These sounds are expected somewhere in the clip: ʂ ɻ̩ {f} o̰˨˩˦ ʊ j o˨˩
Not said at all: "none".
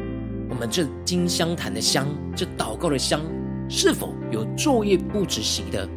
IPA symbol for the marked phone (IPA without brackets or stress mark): f